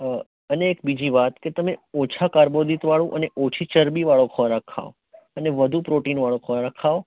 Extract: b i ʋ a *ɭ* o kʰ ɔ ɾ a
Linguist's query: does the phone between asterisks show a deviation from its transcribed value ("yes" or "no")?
no